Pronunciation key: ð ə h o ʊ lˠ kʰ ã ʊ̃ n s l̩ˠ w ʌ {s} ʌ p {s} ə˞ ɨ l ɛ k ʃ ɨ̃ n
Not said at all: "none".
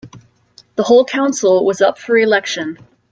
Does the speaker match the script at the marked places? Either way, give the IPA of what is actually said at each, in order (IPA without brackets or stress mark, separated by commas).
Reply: z, f